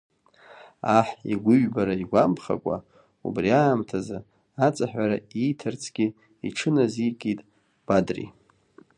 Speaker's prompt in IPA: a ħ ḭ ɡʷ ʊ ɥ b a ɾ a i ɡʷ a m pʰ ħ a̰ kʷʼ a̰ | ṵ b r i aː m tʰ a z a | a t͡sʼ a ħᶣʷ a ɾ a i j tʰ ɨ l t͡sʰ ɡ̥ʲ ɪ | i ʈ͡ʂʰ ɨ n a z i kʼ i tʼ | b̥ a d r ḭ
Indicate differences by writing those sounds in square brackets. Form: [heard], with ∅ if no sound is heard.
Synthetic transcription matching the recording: a ħ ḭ ɡʷ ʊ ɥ b a ɾ a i ɡʷ a m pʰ [χ] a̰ kʷʼ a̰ | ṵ b r i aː m tʰ a z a | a t͡sʼ a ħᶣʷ a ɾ a i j tʰ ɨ [r] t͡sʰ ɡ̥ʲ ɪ | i ʈ͡ʂʰ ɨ n a z i kʼ i tʼ | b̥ a d r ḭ